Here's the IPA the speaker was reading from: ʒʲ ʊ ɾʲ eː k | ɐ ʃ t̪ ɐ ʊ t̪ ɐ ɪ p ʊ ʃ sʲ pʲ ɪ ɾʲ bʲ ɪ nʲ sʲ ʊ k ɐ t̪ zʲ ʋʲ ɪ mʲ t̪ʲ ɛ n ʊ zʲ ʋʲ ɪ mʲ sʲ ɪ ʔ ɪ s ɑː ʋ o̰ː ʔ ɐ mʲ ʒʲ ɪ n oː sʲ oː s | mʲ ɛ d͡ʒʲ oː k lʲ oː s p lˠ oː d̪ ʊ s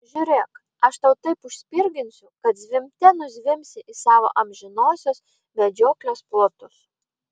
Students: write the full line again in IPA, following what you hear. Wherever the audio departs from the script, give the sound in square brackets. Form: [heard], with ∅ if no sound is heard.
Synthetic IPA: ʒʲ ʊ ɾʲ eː k | ɐ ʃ t̪ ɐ ʊ t̪ ɐ ɪ p ʊ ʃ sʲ pʲ ɪ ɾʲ [ɡʲ] ɪ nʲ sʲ ʊ k ɐ t̪ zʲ ʋʲ ɪ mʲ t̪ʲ ɛ n ʊ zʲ ʋʲ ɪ mʲ sʲ ɪ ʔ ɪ s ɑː ʋ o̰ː ʔ ɐ mʲ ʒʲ ɪ n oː sʲ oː s | mʲ ɛ d͡ʒʲ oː k lʲ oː s p lˠ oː [t̪] ʊ s